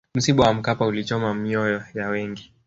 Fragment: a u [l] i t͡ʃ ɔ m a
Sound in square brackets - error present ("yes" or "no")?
no